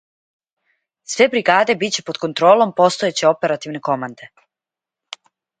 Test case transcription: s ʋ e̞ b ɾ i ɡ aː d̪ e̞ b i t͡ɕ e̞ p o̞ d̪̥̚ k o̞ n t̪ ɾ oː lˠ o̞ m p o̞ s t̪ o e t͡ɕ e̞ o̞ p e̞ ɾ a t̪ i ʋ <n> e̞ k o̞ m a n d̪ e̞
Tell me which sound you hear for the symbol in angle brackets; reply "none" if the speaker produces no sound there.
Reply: n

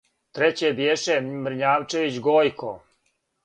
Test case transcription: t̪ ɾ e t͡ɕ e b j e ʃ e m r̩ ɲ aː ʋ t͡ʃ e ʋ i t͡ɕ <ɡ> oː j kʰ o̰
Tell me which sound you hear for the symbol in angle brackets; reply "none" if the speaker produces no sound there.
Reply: ɡ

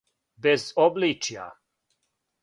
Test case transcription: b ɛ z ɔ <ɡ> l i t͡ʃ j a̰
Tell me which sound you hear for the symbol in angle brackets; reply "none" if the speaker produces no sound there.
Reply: b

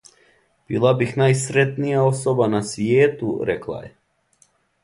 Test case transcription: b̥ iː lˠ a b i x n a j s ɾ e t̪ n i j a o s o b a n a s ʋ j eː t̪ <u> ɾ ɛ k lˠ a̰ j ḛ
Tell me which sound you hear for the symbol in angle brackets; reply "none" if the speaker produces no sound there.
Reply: u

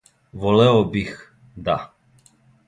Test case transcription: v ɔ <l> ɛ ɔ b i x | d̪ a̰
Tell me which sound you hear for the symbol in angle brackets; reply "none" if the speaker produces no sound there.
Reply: l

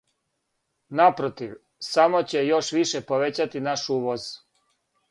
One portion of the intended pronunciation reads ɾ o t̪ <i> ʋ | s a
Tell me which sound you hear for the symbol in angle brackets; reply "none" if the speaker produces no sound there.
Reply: i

